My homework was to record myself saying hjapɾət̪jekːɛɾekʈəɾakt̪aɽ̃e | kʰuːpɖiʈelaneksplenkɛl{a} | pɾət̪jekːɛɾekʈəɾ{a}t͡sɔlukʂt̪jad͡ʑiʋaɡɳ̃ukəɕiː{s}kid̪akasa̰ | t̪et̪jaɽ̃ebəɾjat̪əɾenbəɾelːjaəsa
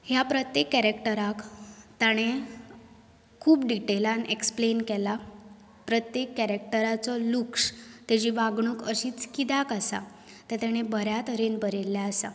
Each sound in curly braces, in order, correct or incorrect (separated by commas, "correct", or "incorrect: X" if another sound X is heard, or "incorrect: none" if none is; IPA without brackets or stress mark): correct, correct, incorrect: t͡s